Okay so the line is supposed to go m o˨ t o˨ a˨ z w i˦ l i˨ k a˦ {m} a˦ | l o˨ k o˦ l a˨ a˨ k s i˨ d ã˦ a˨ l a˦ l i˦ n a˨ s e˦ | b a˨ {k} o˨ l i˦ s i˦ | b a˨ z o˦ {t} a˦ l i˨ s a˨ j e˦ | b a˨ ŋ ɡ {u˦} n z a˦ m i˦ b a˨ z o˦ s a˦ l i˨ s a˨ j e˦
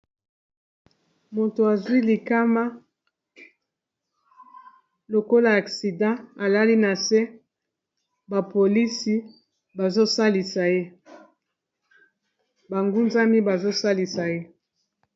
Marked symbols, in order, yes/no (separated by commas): yes, no, no, yes